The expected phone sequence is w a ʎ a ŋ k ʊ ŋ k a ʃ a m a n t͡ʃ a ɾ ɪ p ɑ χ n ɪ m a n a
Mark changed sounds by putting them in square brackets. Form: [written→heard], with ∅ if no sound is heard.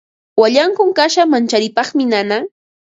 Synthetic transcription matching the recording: w a ʎ a ŋ k ʊ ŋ k a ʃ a m a n t͡ʃ a ɾ ɪ p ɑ χ [n→m] ɪ [m→n] a n a